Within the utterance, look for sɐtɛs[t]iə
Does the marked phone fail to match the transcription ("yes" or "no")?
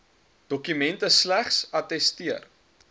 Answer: no